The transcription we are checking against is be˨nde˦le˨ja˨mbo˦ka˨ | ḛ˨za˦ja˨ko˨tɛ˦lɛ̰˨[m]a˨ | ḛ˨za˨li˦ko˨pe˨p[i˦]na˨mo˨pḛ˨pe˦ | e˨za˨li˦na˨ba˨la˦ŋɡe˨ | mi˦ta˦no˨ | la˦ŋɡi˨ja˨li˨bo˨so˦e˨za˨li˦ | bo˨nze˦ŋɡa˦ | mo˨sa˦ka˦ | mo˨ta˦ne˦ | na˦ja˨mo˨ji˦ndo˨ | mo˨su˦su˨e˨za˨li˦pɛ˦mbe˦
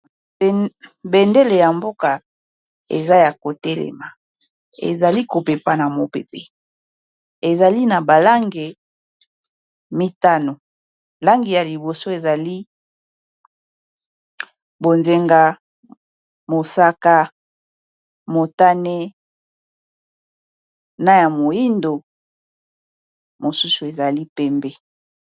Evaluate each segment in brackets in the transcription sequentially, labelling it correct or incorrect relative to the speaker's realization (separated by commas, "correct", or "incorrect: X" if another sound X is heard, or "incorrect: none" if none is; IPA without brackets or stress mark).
correct, incorrect: a˦